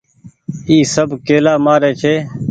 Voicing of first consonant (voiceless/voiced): voiceless